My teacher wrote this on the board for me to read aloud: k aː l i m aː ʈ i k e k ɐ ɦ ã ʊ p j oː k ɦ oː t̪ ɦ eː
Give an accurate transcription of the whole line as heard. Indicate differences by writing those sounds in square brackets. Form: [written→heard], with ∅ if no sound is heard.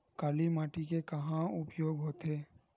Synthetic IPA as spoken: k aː l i m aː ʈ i k e k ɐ ɦ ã ʊ p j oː [k→ɡ] ɦ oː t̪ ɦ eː

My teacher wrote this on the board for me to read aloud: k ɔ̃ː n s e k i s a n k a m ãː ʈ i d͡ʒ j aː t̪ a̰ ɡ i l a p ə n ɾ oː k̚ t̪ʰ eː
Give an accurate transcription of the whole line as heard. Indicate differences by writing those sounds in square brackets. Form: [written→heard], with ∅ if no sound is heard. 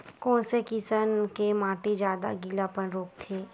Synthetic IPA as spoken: k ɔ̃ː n s e k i s [a→ə] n k [a→e] m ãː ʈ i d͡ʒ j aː [t̪→d̪] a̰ ɡ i l a p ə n ɾ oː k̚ t̪ʰ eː

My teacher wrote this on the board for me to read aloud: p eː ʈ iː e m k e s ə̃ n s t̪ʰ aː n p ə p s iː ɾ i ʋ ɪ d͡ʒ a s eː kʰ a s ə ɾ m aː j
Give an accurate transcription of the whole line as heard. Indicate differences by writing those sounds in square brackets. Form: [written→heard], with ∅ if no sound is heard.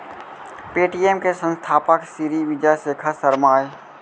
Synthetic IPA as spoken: p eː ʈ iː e m k e s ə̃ n s t̪ʰ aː [n→∅] p ə [p→k] s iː ɾ i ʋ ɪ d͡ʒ a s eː kʰ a s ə ɾ m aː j

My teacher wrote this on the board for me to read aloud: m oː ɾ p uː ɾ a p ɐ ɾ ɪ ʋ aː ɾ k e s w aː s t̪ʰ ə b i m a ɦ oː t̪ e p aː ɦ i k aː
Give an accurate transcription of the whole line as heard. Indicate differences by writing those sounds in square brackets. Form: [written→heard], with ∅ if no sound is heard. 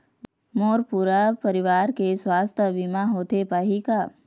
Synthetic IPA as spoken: m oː ɾ p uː ɾ a p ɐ ɾ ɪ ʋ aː ɾ k e s w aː s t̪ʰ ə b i m a ɦ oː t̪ e p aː ɦ i k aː

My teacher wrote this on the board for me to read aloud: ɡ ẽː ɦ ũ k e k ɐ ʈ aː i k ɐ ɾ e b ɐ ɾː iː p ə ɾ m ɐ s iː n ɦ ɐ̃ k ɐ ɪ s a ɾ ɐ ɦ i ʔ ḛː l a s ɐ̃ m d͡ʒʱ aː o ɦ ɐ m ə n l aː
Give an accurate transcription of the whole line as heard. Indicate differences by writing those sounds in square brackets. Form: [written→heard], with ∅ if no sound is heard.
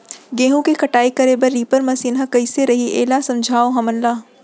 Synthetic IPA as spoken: ɡ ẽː ɦ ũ k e k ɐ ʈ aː i k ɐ ɾ e b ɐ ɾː iː p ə ɾ m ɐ s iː n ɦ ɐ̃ k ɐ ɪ s [a→e] ɾ ɐ ɦ i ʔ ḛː l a s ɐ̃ m d͡ʒʱ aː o ɦ ɐ m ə n l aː

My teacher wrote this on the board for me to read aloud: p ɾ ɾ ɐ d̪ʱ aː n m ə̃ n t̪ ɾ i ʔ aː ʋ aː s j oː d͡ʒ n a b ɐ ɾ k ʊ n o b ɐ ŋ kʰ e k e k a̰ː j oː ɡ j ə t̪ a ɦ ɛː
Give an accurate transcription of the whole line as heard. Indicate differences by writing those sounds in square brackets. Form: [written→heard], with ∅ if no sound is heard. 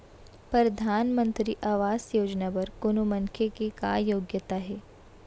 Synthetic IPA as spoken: p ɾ ɾ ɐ d̪ʱ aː n m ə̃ n t̪ ɾ i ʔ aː ʋ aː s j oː d͡ʒ n a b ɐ ɾ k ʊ n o [b→m] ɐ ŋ kʰ e k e k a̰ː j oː ɡ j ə t̪ a ɦ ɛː

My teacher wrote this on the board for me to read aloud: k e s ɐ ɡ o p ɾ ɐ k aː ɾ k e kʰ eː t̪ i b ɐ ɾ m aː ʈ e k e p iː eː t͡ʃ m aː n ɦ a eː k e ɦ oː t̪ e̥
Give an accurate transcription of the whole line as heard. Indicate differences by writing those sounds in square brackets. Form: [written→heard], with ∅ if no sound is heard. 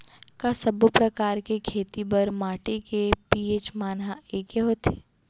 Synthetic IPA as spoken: k [e→a] s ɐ [ɡ→b] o p ɾ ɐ k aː ɾ k e kʰ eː t̪ i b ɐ ɾ m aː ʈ e k e p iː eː t͡ʃ m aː n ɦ a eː k e ɦ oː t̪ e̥

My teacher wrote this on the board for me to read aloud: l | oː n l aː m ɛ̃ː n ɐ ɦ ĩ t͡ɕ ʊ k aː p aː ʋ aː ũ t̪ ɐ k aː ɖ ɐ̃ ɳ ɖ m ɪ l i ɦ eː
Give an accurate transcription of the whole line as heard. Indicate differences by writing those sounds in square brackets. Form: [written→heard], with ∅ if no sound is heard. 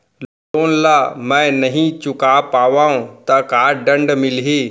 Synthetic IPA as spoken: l | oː n l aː m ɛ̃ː n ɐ ɦ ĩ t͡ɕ ʊ k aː p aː ʋ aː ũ t̪ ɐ k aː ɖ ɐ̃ ɳ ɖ m ɪ l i ɦ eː

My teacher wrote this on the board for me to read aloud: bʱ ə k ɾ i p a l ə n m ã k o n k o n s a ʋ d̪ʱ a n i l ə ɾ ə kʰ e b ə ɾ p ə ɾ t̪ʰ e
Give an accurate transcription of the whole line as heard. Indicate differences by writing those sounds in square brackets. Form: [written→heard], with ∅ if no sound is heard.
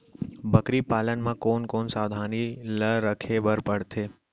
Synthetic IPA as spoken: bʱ ə k ɾ i p a l ə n m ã k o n k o n s a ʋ d̪ʱ a n i l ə ɾ ə kʰ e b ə ɾ p ə [ɾ→ɽ] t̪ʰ e

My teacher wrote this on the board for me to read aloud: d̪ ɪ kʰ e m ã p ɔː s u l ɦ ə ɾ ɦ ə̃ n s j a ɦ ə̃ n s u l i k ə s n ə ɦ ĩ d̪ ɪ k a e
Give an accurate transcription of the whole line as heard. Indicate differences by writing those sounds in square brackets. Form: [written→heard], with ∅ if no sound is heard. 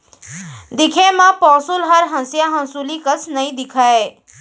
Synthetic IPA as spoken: d̪ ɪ kʰ e m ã p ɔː s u l ɦ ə ɾ ɦ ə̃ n s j a ɦ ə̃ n s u l i k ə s n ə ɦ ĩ d̪ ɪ [k→kʰ] a e

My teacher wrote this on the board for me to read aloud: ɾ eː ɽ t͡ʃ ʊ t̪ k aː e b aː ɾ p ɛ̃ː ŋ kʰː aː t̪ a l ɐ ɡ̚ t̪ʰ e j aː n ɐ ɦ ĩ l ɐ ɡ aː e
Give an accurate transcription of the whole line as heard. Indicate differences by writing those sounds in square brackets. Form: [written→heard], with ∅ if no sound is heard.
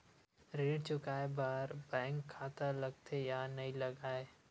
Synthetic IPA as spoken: ɾ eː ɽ t͡ʃ ʊ [t̪→∅] k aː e b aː ɾ [p→b] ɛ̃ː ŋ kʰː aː t̪ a l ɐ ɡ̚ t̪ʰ e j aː n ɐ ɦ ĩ l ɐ ɡ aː e

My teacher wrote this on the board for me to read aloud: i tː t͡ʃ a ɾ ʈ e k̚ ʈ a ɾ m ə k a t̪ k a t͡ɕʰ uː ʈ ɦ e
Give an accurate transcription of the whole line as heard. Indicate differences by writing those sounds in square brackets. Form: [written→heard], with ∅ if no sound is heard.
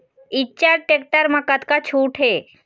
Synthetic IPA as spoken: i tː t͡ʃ a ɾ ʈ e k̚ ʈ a ɾ m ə k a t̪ k a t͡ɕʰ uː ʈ ɦ e

